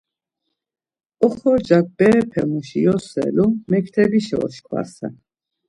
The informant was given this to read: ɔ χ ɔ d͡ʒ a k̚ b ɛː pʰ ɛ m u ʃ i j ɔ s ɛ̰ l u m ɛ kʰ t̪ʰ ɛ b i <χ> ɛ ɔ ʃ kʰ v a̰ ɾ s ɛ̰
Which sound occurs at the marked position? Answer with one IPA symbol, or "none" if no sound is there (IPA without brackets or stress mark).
ʃ